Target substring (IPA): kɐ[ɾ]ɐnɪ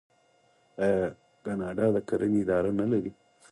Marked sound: correct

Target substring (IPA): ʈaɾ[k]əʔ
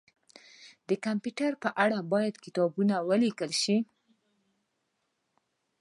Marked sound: incorrect: p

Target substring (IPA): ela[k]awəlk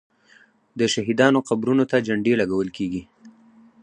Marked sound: incorrect: ɡ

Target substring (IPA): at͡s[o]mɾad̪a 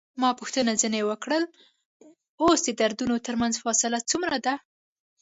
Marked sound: incorrect: u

